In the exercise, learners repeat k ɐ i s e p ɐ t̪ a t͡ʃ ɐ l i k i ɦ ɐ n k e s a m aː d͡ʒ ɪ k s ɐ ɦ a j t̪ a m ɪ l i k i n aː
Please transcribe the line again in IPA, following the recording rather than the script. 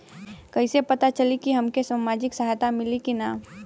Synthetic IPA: k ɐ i s e p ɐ t̪ a t͡ʃ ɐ l i k i ɦ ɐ m k e s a m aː d͡ʒ ɪ k s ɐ ɦ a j t̪ a m ɪ l i k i n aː